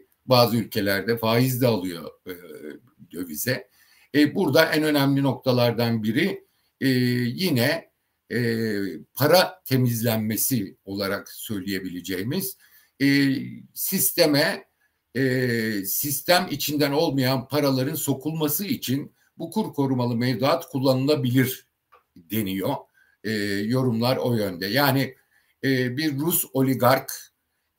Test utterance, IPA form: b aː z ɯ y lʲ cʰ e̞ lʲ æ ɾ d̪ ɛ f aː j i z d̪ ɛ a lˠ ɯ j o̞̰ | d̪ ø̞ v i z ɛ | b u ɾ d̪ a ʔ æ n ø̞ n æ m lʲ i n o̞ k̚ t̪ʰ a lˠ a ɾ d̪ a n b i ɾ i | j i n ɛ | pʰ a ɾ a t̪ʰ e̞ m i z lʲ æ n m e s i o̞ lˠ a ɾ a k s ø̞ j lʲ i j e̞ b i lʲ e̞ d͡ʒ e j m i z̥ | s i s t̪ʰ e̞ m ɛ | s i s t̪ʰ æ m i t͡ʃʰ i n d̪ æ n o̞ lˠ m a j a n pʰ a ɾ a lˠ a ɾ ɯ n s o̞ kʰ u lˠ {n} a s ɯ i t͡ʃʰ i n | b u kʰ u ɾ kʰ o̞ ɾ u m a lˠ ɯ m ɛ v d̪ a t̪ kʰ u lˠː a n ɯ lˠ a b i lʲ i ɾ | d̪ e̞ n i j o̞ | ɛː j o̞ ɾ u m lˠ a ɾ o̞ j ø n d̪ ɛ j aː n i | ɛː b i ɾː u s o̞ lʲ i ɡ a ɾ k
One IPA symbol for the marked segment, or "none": m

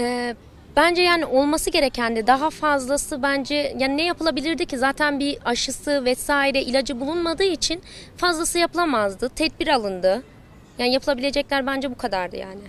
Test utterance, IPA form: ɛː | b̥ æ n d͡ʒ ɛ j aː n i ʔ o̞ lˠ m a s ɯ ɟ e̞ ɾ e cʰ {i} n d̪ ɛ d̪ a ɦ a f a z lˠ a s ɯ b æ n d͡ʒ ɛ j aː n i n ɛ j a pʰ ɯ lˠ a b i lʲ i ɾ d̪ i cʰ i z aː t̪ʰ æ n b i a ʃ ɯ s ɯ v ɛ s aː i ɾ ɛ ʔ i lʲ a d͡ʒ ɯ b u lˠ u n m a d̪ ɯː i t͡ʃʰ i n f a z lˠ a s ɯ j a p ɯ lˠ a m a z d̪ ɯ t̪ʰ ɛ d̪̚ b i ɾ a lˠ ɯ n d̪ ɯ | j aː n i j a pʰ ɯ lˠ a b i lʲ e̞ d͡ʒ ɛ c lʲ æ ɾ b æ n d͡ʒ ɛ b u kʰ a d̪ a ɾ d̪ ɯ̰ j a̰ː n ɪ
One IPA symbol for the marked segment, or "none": æ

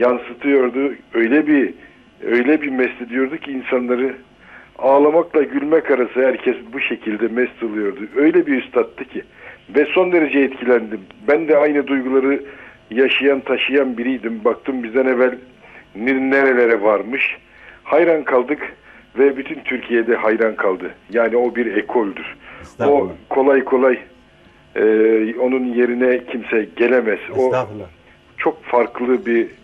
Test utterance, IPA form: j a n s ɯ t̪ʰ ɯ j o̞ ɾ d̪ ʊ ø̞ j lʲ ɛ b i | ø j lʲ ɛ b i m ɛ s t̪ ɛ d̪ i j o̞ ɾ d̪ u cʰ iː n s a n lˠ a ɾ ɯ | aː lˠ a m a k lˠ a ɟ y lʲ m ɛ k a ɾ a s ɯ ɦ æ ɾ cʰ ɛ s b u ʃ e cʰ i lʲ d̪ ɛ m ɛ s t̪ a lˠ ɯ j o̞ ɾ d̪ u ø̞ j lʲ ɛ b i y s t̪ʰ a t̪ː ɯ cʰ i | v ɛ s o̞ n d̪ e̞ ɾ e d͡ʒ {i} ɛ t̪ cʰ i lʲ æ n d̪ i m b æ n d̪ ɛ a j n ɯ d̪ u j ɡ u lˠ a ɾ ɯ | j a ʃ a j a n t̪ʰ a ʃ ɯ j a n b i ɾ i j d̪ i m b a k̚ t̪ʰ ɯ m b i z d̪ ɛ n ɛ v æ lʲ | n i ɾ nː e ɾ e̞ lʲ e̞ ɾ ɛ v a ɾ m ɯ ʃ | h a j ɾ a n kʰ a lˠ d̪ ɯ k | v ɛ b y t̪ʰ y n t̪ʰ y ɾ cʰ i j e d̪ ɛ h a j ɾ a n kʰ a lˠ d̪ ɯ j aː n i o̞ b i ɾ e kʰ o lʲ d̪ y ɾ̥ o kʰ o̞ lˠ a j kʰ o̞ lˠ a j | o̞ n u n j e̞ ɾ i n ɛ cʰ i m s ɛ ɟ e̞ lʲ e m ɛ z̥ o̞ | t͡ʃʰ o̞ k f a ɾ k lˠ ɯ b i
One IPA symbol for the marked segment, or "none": ɛ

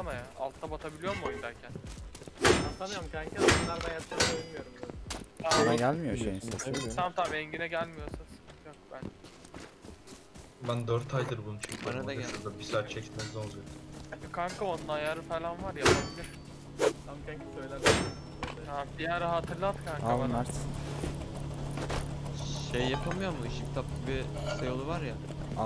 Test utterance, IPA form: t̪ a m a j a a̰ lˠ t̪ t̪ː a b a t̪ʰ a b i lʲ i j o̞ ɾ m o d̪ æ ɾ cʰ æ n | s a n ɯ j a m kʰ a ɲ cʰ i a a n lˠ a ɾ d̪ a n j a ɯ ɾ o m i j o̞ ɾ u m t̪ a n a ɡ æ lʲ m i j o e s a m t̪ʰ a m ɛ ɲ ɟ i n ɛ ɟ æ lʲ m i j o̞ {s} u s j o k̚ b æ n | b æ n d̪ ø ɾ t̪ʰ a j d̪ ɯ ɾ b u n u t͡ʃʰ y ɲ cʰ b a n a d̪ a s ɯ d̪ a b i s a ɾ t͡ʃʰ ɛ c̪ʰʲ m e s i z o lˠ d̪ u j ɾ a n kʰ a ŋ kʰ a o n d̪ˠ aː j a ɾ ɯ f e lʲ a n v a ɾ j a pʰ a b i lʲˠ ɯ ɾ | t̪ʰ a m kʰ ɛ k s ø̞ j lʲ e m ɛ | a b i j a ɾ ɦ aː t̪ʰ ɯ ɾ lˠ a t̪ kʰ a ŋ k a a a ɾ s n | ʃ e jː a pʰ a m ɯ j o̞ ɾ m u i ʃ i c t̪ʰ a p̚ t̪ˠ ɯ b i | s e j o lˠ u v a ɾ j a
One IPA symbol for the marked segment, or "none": s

